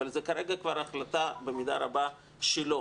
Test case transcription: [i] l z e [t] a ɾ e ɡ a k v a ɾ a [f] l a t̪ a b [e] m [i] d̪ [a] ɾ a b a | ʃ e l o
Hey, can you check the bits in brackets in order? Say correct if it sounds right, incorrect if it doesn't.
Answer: incorrect: a, incorrect: k, incorrect: χ, correct, correct, correct

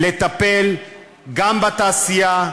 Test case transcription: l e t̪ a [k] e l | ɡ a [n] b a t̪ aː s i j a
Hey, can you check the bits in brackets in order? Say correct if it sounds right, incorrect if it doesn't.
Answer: incorrect: p, incorrect: m

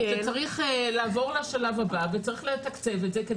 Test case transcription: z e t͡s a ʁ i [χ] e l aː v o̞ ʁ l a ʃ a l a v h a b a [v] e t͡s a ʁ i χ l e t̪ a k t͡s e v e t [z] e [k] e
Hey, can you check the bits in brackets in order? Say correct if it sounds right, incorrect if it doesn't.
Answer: correct, correct, correct, correct

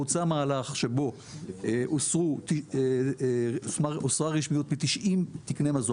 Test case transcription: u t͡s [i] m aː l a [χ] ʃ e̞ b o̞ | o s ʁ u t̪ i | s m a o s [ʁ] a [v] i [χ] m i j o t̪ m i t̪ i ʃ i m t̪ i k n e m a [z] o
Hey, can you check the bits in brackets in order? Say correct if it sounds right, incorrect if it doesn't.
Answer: incorrect: a, correct, correct, incorrect: ʁ, incorrect: ʃ, correct

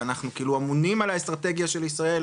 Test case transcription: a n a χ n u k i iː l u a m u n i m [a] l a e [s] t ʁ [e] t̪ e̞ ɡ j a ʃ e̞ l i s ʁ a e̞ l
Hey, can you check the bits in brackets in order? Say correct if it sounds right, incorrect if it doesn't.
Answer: correct, correct, incorrect: a

